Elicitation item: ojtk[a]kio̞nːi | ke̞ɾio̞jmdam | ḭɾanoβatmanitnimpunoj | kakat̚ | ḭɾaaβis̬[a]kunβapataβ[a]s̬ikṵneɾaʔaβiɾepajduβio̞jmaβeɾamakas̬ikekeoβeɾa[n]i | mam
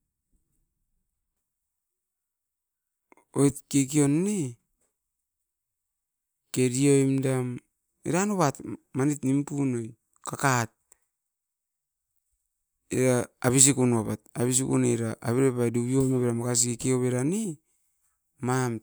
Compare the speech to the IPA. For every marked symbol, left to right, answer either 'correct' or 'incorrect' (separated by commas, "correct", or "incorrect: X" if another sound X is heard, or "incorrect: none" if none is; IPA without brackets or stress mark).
incorrect: e, incorrect: i, incorrect: i, correct